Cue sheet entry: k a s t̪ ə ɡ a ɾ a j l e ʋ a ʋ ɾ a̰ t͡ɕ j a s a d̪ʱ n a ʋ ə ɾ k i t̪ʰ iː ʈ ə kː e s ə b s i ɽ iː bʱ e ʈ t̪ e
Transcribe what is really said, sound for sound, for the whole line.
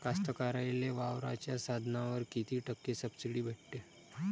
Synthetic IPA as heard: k a s t̪ ə k a ɾ a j l e ʋ a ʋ ɾ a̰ t͡ɕ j a s a d̪ʱ n a ʋ ə ɾ k i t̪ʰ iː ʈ ə kː e s ə b s i ɽ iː bʱ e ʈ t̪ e